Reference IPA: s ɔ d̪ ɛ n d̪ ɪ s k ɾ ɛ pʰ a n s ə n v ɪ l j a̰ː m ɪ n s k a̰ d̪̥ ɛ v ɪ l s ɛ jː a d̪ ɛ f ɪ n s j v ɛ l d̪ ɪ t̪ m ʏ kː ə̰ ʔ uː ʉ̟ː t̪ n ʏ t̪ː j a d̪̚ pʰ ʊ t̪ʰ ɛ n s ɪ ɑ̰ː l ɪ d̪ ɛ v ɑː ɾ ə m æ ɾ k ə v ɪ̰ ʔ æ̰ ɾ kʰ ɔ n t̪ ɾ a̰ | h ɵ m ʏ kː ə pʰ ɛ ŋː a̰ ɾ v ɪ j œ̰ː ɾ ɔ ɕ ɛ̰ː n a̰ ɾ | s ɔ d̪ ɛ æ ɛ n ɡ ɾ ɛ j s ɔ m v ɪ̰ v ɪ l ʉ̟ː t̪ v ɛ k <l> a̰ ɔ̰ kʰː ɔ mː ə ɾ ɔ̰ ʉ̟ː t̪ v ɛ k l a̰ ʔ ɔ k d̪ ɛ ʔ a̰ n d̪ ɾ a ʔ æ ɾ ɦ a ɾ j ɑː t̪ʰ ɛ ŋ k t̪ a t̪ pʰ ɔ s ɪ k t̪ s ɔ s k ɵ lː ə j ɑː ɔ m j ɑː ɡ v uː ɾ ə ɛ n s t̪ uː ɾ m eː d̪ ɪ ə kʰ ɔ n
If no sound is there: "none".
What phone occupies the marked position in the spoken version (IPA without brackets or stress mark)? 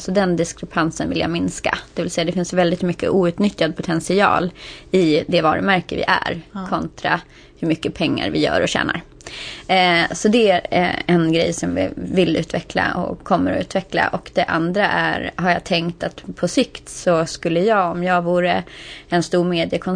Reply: l